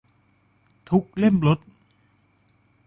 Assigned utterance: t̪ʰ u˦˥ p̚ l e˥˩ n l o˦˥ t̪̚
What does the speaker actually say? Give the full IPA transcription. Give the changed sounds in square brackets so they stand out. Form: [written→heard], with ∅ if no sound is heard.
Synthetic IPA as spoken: t̪ʰ u˦˥ [p̚→k̚] l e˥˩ [n→m] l o˦˥ t̪̚